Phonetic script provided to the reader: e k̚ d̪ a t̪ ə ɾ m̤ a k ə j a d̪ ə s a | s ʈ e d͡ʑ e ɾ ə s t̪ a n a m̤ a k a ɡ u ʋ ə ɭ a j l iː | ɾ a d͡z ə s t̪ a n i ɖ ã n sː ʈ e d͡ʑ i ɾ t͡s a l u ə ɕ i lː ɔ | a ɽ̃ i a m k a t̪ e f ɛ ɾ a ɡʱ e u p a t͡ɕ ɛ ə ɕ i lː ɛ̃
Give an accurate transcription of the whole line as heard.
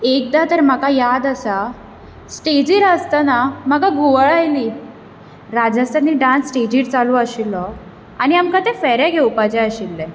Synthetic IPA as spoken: e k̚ d̪ a t̪ ə ɾ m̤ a k a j a d̪ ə s a | s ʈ e d͡ʑ i ɾ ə s t̪ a n a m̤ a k a ɡ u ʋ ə ɭ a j l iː | ɾ a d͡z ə s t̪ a n i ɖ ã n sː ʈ e d͡ʑ i ɾ t͡s a l u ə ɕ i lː ɔ | a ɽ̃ i a m k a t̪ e f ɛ ɾ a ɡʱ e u p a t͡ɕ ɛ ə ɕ i lː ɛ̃

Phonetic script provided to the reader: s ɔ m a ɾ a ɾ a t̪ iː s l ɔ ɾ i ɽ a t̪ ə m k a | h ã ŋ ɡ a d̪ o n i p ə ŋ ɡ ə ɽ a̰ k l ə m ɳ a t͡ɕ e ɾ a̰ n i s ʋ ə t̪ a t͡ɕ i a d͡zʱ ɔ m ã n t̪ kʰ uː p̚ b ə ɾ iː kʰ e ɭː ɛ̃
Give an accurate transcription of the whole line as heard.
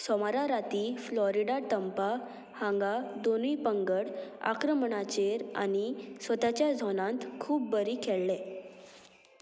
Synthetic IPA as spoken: s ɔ m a ɾ a ɾ a t̪ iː f l ɔ ɾ i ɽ a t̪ ə m p a | h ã ŋ ɡ a d̪ o n i p ə ŋ ɡ ə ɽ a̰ k ɾ ə m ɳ a t͡ɕ e ɾ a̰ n i s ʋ ə t̪ a t͡ɕ j a d͡zʱ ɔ n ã n t̪ kʰ uː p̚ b ə ɾ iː kʰ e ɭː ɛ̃

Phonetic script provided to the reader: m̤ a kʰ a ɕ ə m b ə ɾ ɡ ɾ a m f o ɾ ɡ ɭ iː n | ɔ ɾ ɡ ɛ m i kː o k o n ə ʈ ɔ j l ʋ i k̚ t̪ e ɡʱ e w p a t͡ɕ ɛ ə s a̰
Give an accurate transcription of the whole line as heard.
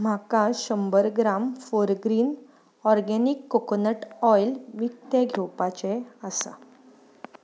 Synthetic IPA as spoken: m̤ a k a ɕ ə m b ə ɾ ɡ ɾ a m f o ɾ ɡ ɾ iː n | ɔ ɾ ɡ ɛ n i kː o k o n ə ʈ ɔ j l ʋ i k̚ t̪ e ɡʱ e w p a t͡ɕ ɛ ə s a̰

